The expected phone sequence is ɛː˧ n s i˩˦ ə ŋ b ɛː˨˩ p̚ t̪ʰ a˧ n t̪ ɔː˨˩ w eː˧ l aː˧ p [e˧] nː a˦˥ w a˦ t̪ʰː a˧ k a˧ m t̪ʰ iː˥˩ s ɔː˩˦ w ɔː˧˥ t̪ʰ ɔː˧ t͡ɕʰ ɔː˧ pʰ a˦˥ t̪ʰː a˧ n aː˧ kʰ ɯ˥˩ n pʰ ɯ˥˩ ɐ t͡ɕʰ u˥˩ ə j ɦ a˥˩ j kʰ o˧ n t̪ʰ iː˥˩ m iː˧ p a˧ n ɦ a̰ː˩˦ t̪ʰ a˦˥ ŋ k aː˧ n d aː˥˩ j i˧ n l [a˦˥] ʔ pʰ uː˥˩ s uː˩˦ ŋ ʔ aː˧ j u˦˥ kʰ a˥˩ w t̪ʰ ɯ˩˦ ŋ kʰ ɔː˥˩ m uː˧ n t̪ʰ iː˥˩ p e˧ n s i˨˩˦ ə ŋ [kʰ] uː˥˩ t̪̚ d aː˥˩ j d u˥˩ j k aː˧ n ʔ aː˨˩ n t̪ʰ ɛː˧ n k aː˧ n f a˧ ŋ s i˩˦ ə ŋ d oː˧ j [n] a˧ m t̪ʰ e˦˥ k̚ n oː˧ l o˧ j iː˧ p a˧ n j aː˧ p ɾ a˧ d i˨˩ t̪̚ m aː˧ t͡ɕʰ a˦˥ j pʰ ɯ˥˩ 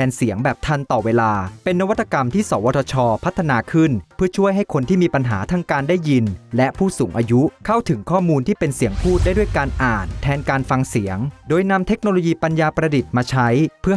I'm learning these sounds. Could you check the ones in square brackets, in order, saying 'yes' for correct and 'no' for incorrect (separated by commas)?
yes, no, no, yes